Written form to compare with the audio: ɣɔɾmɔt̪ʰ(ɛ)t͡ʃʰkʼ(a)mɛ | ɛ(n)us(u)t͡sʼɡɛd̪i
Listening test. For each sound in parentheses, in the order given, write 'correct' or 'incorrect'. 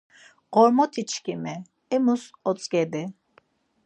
incorrect, incorrect, incorrect, incorrect

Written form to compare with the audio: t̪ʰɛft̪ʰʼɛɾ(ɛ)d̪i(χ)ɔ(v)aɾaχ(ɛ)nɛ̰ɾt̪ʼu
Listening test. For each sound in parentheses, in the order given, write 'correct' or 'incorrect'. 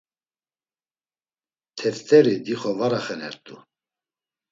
incorrect, correct, correct, correct

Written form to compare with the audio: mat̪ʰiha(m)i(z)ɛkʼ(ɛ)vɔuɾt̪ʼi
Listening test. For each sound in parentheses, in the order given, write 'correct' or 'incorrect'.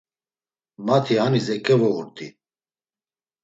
incorrect, correct, correct

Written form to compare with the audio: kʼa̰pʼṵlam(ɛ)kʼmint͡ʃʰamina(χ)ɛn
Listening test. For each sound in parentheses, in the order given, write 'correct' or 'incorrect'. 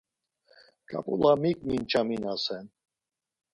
incorrect, incorrect

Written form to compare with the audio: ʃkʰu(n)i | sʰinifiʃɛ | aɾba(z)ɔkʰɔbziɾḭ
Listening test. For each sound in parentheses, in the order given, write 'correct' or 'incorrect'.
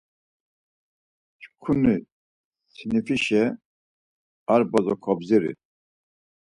correct, correct

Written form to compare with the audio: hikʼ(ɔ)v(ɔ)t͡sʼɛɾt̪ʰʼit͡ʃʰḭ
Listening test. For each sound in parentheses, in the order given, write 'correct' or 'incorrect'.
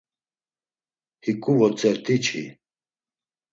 incorrect, correct

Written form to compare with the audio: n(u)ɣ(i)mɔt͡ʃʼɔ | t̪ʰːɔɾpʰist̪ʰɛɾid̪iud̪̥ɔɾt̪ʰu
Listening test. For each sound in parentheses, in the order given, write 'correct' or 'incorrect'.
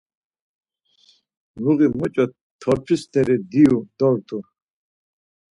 correct, correct

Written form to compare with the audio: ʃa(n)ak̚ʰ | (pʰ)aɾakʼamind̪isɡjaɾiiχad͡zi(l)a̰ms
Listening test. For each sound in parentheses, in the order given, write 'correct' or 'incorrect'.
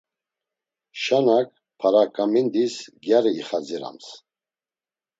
correct, correct, incorrect

